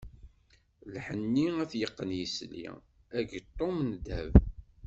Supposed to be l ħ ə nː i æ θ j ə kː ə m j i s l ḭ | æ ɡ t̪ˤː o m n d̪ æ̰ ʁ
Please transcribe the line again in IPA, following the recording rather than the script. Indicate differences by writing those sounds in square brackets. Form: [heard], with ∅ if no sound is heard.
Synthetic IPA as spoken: l ħ ə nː i æ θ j ə [qː] ə [n] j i s l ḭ | æ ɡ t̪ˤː o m n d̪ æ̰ [v]